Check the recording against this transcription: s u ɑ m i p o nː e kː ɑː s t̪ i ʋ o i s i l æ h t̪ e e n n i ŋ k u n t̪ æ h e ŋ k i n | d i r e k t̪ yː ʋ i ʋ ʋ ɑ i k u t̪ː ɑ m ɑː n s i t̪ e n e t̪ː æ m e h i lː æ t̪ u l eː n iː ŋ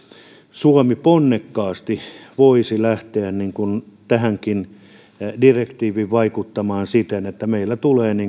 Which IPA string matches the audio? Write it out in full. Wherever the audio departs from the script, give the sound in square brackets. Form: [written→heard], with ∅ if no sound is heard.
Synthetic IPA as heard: s u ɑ m i p o nː e kː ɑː s t̪ i ʋ o i s i l æ h t̪ e [e→æ] n n i ŋ k u n t̪ æ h [e→æ] ŋ k i n | d i r e k t̪ [yː→iː] ʋ i ʋ ʋ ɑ i k u t̪ː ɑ m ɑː n s i t̪ e n e t̪ː æ m e [h→∅] i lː æ t̪ u l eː n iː ŋ

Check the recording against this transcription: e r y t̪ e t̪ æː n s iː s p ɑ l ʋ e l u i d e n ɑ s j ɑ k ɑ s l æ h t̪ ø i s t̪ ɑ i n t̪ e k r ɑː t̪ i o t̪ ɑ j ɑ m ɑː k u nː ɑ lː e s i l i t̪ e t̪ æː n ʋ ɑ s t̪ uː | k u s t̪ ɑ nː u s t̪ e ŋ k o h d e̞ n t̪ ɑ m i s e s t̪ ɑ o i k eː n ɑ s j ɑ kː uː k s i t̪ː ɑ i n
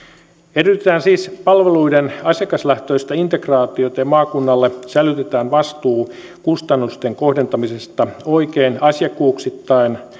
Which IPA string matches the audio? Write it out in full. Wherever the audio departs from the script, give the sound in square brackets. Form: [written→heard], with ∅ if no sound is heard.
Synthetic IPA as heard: e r y t̪ e t̪ æː n s iː s p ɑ l ʋ e l u i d e n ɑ s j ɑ k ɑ s l æ h t̪ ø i s t̪ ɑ i n t̪ e k r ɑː t̪ i o t̪ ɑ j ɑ m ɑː k u nː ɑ lː e s [i→æ] l [i→y] t̪ e t̪ æː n ʋ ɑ s t̪ uː | k u s t̪ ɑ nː u s t̪ e ŋ k o h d e̞ n t̪ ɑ m i s e s t̪ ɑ o i k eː n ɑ s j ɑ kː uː k s i t̪ː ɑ i n

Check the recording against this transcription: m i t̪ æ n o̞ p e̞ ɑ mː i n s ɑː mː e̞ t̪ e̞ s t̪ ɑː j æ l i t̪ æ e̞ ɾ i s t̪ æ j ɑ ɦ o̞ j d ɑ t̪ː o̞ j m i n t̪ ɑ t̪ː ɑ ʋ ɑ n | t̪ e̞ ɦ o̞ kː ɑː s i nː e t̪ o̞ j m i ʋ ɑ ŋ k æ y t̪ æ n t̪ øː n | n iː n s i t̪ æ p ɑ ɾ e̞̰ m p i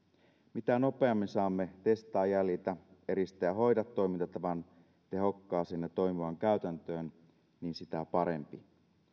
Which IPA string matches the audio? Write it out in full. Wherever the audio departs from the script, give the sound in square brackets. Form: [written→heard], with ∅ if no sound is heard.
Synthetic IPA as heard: m i t̪ æ n o̞ p e̞ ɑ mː i n s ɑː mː e̞ t̪ e̞ s t̪ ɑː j æ l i t̪ æ e̞ ɾ i s t̪ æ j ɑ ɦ o̞ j d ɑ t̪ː o̞ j m i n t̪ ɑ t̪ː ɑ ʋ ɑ n | t̪ e̞ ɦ o̞ kː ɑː s i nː e t̪ o̞ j m i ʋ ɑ ŋ k æ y t̪ æ n t̪ øː n | n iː n s i t̪ æ p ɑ ɾ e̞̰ m p i

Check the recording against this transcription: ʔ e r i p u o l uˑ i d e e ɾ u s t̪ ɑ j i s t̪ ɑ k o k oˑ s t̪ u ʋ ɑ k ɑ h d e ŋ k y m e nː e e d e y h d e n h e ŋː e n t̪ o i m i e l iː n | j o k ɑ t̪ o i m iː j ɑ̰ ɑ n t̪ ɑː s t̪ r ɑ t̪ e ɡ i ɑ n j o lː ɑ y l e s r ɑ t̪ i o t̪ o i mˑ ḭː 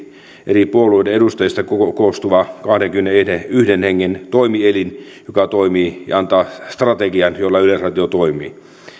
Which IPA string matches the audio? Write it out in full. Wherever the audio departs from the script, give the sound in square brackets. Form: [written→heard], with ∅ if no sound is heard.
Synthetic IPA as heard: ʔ e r i p u o l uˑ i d e e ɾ u s t̪ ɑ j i s t̪ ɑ k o k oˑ s t̪ u ʋ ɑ k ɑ h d e ŋ k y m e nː e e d e y h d e n h e ŋː e n t̪ o i m i e l [iː→i] n | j o k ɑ t̪ o i m iː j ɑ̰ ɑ n t̪ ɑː s t̪ r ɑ t̪ e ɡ i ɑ n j o lː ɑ y l e s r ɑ t̪ i o t̪ o i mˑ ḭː

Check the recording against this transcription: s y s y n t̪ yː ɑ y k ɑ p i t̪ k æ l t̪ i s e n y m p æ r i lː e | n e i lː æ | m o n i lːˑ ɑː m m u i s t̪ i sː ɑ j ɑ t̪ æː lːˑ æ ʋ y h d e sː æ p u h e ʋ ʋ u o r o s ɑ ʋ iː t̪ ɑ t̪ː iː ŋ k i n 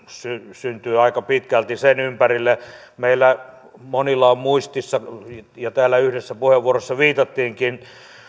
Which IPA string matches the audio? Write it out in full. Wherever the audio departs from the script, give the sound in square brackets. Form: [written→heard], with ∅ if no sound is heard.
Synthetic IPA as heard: s y s y n t̪ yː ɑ [y→i] k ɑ p i t̪ k æ l t̪ i s e n y m p æ r i lː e | [n→m] e i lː æ | m o n i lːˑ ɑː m m u i s t̪ i sː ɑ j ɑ t̪ æː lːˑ æ [ʋ→∅] y h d e sː æ p u h e ʋ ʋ u o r o [s→sː] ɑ ʋ iː t̪ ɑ t̪ː iː ŋ k i n

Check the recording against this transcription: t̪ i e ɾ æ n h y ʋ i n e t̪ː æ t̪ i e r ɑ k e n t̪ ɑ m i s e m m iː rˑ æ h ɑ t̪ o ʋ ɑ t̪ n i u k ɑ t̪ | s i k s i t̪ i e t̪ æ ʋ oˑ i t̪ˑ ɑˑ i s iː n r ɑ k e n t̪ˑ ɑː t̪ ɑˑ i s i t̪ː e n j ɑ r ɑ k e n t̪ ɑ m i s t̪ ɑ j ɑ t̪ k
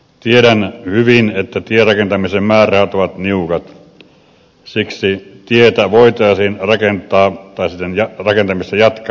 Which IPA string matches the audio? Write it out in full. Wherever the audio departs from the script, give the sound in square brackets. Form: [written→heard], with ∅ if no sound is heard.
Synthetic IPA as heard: t̪ i e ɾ æ n h y ʋ i n e t̪ː æ t̪ i e r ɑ k e n t̪ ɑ m i s e m m [iː→æː] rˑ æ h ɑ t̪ o ʋ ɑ t̪ n i u k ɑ t̪ | s i k s i t̪ i e t̪ æ ʋ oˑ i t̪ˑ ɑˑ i s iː n r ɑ k e n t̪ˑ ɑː t̪ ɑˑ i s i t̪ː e n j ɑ r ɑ k e n t̪ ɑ m i s t̪ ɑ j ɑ t̪ k

